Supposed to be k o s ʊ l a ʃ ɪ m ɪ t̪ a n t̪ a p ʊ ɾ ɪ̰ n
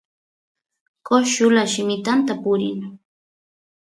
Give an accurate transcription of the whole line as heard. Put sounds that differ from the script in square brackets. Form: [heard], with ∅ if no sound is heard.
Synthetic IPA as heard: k o [ʃ] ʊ l a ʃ ɪ m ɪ t̪ a n t̪ a p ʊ ɾ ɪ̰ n